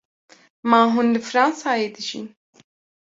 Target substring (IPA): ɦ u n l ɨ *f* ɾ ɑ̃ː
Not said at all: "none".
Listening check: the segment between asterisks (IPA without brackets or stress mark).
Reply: f